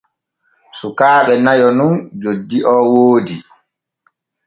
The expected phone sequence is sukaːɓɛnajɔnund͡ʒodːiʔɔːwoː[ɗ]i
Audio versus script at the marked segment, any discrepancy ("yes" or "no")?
yes